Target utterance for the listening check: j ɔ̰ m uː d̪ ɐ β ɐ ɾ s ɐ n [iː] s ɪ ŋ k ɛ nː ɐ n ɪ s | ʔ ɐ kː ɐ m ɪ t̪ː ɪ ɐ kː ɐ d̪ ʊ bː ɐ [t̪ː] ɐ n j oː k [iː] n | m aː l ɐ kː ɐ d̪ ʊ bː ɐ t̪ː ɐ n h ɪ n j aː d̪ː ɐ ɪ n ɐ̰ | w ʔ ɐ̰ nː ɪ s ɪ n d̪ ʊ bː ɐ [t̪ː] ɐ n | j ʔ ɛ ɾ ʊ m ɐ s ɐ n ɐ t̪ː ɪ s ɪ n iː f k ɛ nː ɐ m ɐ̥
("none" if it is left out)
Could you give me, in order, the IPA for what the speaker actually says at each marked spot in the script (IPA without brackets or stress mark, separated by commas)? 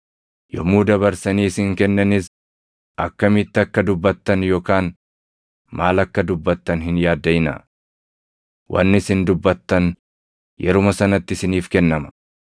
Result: iː, t̪ː, aː, t̪ː